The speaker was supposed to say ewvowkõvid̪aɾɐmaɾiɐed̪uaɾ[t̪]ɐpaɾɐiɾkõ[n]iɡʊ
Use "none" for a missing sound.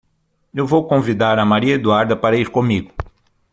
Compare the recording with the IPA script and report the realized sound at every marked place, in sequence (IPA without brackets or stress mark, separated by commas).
d̪, m